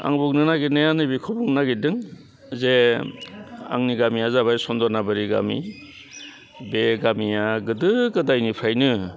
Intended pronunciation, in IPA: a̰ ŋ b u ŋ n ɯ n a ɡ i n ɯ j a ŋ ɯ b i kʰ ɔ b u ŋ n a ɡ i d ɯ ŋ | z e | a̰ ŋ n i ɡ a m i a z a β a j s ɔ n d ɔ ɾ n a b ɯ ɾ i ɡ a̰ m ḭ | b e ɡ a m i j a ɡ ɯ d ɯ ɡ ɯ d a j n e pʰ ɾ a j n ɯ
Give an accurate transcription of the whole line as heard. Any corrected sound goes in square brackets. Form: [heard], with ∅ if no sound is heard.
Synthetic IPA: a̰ ŋ b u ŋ n ɯ n a ɡ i n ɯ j a [n] ɯ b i kʰ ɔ b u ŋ n a ɡ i d ɯ ŋ | z e | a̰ ŋ n i ɡ a m i a z a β a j s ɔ n d ɔ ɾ n a b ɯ ɾ i ɡ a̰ m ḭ | b e ɡ a m i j a ɡ ɯ d ɯ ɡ ɯ d a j n [i] pʰ ɾ a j n ɯ